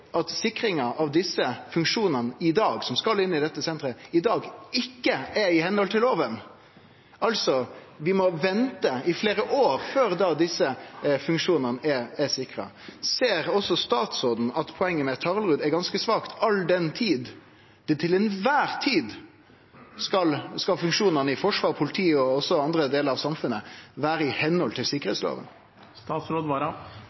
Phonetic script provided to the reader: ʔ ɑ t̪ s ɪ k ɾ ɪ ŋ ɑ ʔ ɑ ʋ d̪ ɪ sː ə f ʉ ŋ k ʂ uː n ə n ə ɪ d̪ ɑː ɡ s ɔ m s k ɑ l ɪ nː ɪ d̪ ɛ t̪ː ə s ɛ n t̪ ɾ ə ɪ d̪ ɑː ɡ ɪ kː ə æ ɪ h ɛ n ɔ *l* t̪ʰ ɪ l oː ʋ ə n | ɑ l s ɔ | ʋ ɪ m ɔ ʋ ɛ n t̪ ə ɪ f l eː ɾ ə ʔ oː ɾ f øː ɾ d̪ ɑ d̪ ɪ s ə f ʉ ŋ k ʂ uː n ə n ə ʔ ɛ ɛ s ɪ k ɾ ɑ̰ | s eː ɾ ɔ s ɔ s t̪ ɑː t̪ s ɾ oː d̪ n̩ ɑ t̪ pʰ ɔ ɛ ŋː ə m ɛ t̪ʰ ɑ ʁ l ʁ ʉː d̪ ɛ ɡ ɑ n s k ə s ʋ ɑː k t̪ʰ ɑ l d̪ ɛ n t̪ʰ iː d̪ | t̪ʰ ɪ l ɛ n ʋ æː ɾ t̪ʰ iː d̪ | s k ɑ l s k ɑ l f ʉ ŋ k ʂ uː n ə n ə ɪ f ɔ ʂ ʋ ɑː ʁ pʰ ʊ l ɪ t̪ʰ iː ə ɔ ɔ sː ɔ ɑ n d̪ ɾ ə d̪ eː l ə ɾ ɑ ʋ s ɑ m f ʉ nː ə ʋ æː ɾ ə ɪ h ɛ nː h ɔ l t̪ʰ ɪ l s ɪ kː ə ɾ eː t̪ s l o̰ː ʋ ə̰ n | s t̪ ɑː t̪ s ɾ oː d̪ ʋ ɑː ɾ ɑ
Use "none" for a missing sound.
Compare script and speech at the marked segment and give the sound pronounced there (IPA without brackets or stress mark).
l